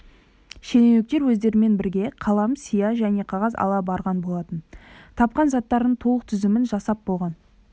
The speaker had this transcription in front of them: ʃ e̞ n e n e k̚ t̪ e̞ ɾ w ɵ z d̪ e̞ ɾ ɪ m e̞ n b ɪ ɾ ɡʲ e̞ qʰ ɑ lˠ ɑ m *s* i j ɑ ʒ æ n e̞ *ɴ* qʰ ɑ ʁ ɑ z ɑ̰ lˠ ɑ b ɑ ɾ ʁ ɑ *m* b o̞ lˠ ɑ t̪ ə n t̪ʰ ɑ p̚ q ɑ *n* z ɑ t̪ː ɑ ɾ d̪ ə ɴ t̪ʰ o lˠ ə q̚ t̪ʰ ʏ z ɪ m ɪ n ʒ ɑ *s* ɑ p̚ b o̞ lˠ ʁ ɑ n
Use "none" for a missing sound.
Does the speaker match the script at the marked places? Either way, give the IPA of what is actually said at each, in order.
s, none, n, n, s

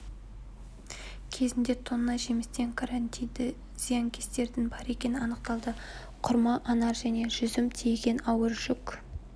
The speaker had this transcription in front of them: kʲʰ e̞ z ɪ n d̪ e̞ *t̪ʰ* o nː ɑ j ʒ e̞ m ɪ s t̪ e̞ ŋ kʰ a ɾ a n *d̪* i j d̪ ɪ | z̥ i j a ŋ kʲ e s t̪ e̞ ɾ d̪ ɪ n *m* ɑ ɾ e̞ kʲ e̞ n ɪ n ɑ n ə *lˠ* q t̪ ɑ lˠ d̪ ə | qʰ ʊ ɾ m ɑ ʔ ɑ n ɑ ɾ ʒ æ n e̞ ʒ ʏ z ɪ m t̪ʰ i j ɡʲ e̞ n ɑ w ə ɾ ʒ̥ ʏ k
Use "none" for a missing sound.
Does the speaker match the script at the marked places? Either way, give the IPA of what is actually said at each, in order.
t̪ʰ, t̪, b, none

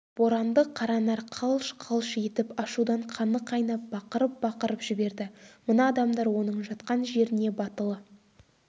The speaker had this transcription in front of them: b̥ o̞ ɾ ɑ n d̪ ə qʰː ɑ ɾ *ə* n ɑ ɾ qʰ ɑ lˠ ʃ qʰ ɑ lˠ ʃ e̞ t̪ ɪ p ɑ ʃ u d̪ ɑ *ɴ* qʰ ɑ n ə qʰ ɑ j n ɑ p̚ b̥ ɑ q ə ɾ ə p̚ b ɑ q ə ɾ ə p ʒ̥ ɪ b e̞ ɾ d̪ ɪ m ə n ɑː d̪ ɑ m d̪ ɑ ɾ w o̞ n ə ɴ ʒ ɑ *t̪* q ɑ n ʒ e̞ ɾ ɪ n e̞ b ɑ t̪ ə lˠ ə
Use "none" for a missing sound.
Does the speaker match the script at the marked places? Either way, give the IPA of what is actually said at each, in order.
ɑ, ɴ, t̪

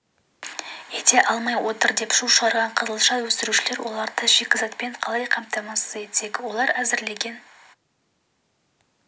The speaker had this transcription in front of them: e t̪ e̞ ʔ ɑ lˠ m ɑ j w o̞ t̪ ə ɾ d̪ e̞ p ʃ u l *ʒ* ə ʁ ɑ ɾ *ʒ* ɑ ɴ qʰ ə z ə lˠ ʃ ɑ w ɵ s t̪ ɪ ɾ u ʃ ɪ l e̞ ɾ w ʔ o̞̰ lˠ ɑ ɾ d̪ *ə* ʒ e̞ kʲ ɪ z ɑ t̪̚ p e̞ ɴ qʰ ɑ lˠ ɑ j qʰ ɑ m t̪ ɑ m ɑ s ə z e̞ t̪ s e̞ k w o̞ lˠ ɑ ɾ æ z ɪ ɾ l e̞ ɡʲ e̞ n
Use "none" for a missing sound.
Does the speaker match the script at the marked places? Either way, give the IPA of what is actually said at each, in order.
ʃ, ʁ, ə

